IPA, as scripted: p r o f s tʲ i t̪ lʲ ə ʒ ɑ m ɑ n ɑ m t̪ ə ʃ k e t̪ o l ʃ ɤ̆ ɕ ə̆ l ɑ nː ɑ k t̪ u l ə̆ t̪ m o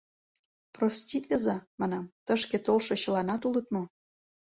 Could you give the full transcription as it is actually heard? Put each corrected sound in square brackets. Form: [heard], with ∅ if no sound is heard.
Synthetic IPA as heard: p r o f s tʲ i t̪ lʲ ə [z] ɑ m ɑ n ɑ m t̪ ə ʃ k e t̪ o l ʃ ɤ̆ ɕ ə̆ l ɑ [n] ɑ [∅] t̪ u l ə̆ t̪ m o